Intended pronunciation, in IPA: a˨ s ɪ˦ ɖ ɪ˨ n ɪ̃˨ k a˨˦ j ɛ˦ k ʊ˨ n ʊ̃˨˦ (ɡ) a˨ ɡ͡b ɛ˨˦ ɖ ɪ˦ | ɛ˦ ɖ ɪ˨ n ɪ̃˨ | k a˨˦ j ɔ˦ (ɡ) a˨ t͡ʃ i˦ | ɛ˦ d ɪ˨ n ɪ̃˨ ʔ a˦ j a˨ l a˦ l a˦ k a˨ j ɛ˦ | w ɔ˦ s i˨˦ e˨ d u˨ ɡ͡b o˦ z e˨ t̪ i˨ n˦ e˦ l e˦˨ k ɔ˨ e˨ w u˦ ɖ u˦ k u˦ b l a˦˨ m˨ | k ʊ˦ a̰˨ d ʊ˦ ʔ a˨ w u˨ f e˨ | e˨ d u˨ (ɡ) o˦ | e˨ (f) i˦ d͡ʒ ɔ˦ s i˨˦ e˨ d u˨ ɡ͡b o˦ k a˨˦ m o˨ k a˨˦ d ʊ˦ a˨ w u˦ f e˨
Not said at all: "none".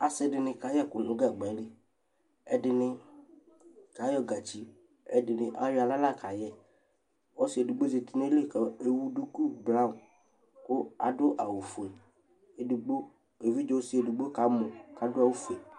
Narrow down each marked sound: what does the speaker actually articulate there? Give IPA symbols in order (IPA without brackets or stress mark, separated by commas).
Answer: ɡ, ɡ, ɡ͡b, v